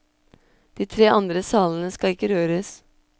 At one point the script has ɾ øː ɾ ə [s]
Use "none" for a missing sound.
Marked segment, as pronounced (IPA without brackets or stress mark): s